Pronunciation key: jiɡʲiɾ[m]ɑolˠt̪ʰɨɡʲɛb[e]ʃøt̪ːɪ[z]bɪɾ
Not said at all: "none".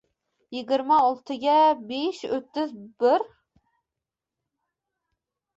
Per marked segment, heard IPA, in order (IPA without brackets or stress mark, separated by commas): m, e, z